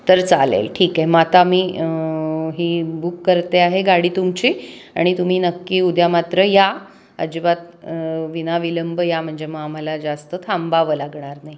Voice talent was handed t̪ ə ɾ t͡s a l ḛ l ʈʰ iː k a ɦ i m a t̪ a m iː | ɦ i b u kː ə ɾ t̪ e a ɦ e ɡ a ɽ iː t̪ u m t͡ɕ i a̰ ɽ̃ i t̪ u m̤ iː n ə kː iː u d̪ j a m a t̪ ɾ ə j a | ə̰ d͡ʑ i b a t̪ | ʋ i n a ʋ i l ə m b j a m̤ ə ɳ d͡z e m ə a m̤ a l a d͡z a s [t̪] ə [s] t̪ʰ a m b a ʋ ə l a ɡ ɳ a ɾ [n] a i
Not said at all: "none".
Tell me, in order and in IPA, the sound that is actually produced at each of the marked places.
t̪, none, n

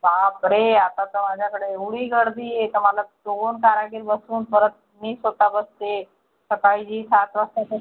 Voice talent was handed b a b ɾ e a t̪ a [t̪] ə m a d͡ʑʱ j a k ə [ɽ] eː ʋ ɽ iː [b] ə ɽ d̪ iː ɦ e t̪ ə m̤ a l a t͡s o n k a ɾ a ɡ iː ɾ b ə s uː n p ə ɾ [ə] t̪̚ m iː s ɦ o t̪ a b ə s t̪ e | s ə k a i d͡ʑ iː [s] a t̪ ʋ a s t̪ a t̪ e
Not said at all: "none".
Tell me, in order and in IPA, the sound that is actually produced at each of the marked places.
t̪, ɽ, ɡ, ə, s

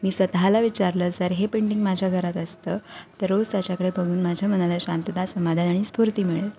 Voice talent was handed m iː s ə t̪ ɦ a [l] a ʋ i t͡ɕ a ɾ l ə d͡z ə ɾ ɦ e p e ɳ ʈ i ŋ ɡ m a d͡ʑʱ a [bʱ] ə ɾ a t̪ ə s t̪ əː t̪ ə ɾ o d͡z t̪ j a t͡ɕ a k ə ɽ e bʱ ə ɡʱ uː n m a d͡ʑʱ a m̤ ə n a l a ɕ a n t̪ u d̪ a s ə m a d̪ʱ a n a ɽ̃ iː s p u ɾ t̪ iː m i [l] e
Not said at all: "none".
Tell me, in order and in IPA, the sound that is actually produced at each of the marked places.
l, ɡʱ, ɭ

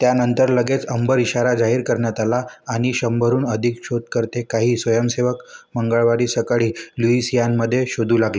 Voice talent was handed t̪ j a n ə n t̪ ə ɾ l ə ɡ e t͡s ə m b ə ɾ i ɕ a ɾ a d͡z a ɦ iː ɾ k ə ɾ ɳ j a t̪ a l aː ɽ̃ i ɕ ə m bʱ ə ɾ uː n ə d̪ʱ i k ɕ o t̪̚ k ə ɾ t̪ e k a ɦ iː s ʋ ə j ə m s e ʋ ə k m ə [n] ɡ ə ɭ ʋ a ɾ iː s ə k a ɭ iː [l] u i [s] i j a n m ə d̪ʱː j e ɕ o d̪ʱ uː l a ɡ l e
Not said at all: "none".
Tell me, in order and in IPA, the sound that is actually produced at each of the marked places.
ŋ, l, s

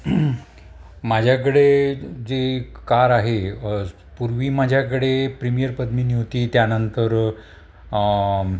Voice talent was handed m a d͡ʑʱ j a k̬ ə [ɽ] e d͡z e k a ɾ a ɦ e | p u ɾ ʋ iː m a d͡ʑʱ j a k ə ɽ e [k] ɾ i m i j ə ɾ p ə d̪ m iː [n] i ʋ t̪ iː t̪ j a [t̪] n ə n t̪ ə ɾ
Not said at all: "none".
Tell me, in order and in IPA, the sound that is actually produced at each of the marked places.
ɽ, p, n, none

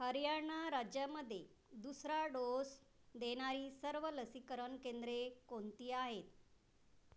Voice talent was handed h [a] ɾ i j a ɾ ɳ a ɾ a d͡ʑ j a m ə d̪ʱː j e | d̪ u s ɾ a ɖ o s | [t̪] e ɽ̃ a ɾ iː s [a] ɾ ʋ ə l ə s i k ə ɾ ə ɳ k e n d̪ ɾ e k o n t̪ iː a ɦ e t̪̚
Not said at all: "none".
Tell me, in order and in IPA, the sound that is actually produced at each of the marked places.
ə, d̪, ə

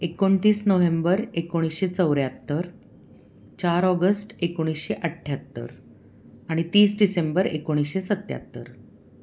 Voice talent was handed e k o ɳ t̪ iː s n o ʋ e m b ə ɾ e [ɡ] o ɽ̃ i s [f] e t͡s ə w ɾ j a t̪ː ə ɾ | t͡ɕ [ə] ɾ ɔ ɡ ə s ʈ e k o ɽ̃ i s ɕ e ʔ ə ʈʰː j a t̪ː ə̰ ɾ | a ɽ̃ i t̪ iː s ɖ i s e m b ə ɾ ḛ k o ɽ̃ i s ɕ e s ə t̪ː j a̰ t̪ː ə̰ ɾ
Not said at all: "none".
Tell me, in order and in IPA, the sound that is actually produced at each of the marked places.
k, ɕ, a

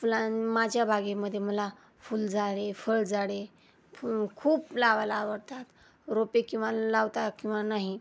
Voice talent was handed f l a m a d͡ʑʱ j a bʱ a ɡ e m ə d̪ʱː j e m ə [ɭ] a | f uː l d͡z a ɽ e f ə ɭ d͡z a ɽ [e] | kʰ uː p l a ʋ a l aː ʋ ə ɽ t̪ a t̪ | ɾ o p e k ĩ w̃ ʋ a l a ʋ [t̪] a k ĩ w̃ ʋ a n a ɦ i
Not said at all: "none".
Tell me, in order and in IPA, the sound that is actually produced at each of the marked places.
l, e, t̪

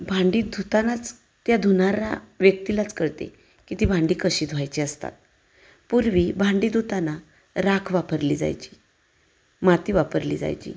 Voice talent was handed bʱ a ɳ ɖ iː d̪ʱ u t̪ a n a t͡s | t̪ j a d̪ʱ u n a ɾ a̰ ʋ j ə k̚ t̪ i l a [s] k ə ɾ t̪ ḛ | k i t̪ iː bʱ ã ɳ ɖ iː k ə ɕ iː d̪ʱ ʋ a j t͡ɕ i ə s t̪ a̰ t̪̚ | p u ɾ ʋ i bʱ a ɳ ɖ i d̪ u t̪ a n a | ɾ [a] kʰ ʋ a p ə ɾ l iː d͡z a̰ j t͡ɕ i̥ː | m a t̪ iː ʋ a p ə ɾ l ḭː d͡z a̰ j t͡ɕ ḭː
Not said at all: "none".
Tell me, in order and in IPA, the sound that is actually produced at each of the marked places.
t͡s, a

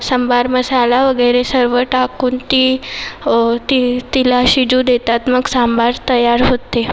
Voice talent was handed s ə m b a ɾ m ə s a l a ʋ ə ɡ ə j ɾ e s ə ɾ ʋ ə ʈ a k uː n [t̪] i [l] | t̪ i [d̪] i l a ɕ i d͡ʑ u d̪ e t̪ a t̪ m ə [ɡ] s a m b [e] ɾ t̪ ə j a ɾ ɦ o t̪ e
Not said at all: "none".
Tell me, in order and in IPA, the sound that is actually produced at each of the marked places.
t̪, none, t̪, ɡ, a

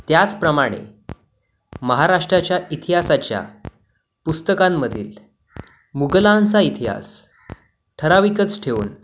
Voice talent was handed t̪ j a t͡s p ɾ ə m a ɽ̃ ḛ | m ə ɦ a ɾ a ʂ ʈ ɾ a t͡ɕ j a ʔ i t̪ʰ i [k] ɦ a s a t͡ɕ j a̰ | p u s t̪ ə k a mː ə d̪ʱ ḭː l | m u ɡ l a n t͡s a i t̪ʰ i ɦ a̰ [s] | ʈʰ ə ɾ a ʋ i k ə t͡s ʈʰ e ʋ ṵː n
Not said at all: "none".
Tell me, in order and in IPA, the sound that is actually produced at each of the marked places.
none, s

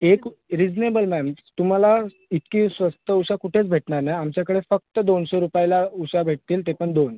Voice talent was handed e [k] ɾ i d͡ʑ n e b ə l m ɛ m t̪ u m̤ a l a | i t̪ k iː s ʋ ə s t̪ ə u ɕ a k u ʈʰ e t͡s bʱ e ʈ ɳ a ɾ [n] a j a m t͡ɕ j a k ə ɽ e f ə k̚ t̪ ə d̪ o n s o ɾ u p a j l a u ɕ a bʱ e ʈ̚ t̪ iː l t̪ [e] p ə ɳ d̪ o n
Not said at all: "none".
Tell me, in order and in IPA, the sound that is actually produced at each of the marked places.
k, n, e

